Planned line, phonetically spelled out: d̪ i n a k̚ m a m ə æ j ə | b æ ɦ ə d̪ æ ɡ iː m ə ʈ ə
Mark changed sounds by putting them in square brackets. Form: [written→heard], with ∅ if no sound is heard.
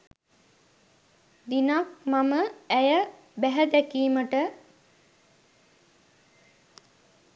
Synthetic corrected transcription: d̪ i n a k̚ m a m ə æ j ə | b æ ɦ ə d̪ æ [ɡ→k] iː m ə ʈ ə